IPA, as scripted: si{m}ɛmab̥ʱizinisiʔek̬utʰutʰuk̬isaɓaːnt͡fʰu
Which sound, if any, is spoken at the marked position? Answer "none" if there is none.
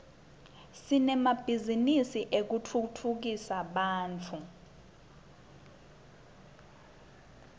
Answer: n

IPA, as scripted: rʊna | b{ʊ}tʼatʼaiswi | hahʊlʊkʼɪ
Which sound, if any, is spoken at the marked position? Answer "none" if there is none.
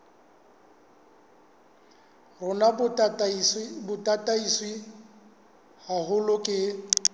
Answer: ʊ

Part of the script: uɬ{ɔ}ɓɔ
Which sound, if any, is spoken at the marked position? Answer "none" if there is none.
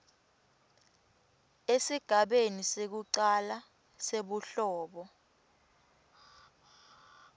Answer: ɔː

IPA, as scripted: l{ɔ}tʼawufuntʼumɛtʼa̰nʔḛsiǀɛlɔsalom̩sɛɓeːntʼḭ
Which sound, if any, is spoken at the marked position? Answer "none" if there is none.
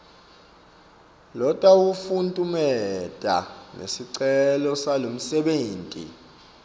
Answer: ɔ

